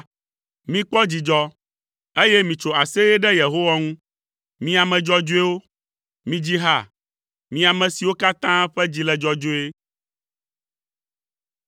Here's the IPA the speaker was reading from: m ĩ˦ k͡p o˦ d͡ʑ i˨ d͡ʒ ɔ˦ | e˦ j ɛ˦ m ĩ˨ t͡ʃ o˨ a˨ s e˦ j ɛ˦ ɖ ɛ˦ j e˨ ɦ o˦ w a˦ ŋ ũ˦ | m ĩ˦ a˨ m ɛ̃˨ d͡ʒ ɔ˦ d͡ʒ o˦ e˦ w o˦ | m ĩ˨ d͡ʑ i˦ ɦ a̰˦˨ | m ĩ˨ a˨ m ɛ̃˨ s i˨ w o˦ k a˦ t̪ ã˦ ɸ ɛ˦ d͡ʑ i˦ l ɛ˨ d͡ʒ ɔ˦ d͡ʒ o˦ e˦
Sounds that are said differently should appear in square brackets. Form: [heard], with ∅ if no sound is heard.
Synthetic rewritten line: m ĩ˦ k͡p [ɔ˦] d͡ʑ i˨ d͡ʒ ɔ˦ | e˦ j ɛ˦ m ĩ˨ t͡ʃ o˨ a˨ s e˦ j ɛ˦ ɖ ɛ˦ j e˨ ɦ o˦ w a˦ ŋ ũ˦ | m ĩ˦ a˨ m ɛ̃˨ d͡ʒ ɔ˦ d͡ʒ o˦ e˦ w o˦ | m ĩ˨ d͡ʑ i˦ ɦ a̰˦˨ | m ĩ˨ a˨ m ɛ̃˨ s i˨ w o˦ k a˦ t̪ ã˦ ɸ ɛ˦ d͡ʑ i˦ l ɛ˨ d͡ʒ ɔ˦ d͡ʒ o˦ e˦